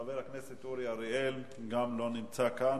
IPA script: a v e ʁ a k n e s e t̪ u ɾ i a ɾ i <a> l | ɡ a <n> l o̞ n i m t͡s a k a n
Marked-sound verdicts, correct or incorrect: incorrect: e, incorrect: m

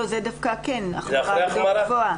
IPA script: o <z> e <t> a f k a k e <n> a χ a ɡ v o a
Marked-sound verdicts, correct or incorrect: correct, incorrect: d, correct

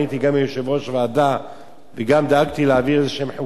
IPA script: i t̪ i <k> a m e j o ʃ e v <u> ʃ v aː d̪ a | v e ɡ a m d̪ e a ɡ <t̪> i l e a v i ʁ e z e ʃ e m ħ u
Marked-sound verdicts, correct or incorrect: incorrect: ɡ, incorrect: o, correct

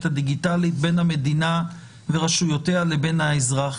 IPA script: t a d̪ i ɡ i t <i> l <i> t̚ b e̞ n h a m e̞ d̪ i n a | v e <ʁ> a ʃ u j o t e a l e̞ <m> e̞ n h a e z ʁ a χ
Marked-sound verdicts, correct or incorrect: incorrect: a, correct, correct, incorrect: b

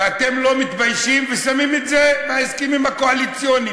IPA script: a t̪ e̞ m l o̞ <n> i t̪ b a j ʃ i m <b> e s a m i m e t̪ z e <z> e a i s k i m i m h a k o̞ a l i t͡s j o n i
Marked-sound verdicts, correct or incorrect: incorrect: m, incorrect: v, incorrect: v

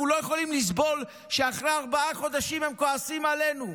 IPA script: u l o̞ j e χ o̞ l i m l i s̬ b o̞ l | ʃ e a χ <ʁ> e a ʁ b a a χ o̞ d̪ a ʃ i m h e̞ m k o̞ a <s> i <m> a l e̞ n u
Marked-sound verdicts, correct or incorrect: correct, correct, correct

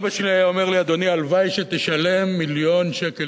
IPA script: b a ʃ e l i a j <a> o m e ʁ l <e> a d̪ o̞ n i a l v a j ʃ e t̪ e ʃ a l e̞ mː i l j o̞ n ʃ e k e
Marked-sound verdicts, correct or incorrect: correct, incorrect: i

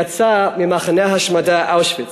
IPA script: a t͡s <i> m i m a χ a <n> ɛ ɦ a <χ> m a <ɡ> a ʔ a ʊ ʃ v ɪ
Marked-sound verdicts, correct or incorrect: incorrect: a, correct, incorrect: ʃ, incorrect: d

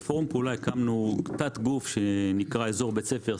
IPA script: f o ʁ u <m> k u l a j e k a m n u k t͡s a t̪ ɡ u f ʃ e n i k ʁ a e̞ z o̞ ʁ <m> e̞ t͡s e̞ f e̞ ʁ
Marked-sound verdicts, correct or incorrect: correct, incorrect: b

